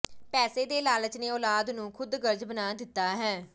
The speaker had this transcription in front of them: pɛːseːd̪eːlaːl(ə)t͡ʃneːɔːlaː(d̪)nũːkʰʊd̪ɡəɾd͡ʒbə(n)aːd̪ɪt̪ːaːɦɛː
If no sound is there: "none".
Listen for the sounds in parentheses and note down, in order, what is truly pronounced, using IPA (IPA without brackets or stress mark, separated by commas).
ə, d̪, n